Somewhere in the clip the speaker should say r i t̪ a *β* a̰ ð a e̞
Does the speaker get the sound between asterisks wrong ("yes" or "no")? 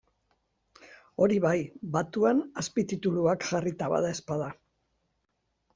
no